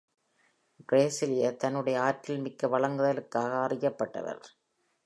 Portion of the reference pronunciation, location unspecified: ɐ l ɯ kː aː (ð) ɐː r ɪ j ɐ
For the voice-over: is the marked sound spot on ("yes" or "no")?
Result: no